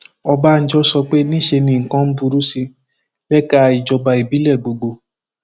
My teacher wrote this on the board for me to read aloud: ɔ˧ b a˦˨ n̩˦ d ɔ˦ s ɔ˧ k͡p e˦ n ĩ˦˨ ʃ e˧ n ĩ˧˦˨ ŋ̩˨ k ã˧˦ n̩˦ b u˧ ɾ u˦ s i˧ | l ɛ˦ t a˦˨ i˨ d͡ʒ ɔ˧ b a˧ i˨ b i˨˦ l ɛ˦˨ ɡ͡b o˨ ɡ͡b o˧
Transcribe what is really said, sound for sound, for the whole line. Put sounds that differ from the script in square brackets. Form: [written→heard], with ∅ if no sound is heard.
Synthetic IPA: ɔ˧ b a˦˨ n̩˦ [d→d͡ʒ] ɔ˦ s ɔ˧ k͡p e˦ n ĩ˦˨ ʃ e˧ n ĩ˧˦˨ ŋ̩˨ k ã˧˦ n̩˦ b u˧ ɾ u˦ s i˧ | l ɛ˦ [t→k] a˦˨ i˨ d͡ʒ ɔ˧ b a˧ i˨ b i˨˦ l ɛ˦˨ ɡ͡b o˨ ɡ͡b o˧